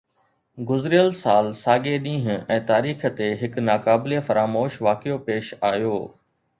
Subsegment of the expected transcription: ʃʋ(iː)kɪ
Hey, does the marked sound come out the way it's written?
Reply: no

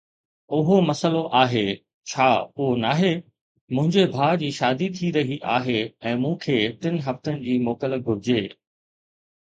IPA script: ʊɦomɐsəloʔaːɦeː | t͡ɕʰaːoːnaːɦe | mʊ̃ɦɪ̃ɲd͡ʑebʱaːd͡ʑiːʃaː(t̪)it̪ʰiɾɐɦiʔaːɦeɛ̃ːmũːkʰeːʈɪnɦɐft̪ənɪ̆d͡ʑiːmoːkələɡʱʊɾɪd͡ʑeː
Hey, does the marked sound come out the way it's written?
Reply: no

